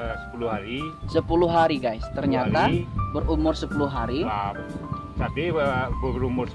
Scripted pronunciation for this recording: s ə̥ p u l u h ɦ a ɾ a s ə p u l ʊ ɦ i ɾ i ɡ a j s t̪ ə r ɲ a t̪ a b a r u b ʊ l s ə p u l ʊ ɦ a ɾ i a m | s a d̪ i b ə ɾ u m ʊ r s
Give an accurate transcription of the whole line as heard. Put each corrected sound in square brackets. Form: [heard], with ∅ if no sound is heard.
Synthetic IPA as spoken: s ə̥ p u l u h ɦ a ɾ [i] s ə p u l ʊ ɦ [a] ɾ i ɡ a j s t̪ ə r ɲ a t̪ a b [ə] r u [m] ʊ [r] s ə p u l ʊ ɦ a ɾ i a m | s a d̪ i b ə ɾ u m ʊ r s